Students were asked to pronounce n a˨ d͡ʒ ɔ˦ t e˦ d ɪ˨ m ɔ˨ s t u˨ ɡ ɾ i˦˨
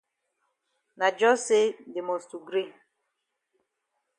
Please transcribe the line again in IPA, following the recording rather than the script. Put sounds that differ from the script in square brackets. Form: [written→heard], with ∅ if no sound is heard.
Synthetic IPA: n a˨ d͡ʒ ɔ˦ [t→s] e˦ d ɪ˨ m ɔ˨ s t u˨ ɡ ɾ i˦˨